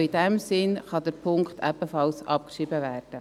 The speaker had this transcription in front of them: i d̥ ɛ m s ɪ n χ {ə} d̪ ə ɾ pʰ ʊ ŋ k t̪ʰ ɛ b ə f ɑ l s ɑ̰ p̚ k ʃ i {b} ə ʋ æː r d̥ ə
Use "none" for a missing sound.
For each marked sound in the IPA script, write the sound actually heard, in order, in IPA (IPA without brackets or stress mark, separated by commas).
ɑ, b